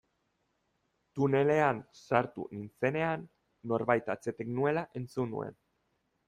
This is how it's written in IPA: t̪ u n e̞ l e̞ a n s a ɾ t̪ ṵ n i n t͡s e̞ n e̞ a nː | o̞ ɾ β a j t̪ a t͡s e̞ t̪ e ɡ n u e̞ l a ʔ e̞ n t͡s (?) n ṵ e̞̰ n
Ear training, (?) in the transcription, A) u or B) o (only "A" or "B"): A